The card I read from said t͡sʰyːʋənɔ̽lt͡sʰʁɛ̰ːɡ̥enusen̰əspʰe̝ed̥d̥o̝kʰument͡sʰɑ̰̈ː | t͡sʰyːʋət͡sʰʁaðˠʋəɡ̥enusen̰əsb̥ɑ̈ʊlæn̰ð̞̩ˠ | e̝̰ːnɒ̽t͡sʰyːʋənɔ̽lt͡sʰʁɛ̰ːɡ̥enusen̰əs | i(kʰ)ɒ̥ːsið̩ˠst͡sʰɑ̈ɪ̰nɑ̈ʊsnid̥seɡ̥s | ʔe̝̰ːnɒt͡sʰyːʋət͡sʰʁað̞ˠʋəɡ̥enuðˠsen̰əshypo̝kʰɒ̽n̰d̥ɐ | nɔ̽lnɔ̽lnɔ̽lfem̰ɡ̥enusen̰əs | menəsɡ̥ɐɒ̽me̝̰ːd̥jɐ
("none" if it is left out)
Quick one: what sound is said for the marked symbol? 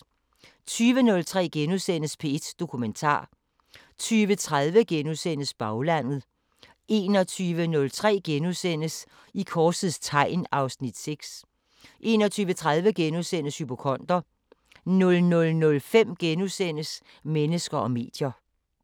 kʰ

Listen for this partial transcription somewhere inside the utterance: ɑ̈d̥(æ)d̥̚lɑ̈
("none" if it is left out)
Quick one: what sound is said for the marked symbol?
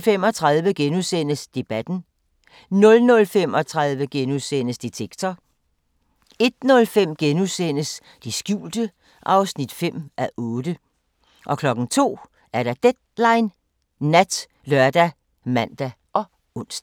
e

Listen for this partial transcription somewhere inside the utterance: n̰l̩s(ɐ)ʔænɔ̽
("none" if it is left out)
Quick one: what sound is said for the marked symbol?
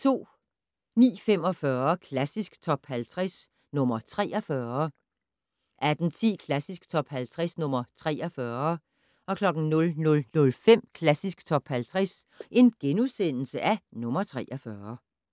ə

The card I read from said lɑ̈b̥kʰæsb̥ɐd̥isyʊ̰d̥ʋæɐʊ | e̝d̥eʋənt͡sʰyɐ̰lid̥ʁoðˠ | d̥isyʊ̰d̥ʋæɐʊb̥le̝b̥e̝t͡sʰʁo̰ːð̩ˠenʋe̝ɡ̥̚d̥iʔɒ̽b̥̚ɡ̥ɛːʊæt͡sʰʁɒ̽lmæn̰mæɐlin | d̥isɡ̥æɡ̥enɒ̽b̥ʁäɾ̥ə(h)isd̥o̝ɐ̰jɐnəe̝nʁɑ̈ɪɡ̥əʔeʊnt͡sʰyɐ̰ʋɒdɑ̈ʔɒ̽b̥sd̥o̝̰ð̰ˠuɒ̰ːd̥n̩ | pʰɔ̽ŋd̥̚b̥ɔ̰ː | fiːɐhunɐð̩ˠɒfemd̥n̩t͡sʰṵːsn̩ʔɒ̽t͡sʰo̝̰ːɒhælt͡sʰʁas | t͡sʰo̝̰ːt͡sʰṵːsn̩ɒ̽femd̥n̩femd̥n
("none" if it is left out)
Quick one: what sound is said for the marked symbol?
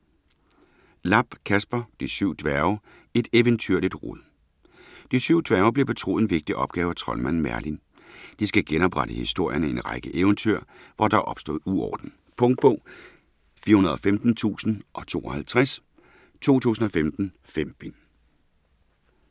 h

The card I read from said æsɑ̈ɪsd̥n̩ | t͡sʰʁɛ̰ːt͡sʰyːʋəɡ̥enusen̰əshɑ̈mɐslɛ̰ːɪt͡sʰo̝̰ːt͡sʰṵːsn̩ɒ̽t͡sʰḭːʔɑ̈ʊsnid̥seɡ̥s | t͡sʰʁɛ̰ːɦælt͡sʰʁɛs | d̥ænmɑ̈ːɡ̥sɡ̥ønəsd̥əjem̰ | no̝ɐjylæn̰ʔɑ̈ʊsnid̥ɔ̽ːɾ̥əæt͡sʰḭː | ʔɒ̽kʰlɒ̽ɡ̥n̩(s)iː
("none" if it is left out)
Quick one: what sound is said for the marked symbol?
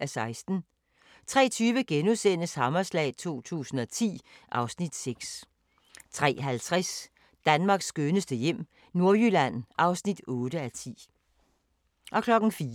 f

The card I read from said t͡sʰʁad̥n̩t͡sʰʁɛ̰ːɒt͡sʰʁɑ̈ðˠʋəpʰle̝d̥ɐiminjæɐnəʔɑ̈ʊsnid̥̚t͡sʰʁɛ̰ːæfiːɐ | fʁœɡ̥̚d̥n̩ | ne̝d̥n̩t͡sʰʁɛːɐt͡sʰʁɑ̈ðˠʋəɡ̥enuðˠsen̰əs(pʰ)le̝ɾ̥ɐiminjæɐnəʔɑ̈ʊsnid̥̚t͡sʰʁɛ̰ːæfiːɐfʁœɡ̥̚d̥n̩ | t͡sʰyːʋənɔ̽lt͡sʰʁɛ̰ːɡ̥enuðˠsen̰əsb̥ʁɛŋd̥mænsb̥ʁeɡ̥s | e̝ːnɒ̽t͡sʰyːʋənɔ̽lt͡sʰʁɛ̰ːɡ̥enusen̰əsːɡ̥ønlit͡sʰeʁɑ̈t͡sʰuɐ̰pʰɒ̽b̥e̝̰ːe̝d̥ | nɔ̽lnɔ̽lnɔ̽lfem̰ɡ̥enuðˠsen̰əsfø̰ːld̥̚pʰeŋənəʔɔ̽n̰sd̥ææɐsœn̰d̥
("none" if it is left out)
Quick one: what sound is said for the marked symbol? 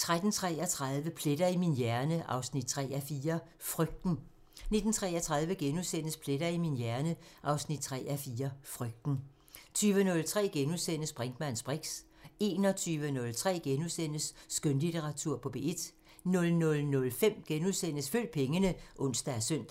pʰ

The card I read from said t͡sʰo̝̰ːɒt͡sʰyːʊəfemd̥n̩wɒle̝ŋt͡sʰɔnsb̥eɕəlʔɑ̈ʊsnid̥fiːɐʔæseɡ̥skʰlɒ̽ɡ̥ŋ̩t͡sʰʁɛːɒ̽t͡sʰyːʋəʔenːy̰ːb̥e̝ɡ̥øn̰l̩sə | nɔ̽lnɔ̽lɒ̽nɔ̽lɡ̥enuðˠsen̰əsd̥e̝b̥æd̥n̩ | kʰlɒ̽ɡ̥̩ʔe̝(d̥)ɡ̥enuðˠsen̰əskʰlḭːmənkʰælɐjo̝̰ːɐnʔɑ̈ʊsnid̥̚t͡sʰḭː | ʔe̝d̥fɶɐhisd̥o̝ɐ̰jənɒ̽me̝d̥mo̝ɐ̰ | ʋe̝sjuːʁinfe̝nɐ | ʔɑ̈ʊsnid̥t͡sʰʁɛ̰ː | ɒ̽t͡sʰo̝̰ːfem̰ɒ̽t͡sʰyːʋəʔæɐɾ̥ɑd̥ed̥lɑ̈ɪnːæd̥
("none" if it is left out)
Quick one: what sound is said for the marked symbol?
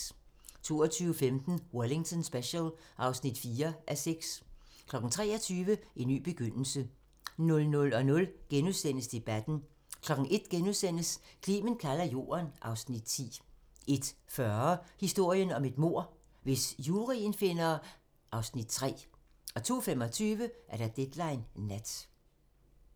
d̥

